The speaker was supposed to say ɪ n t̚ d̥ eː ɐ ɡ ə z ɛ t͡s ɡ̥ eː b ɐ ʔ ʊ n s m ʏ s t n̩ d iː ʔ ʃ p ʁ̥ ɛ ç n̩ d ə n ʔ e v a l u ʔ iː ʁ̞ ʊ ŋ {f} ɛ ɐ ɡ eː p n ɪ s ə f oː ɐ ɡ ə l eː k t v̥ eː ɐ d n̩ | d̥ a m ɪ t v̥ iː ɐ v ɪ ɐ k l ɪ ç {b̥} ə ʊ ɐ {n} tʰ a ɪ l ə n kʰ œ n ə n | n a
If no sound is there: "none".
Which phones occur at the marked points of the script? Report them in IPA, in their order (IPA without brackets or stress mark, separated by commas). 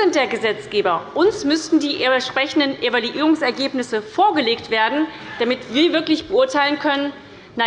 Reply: s, b̥, none